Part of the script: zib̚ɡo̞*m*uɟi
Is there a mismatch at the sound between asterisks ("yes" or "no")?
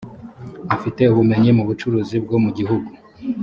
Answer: no